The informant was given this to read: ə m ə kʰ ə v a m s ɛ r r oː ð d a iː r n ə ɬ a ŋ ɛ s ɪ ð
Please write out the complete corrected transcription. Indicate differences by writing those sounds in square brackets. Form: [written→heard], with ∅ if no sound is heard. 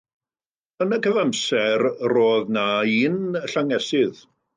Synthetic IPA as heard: ə [m→n] ə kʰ ə v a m s ɛ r r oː ð [d→n] a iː [r→∅] n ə ɬ a ŋ ɛ s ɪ ð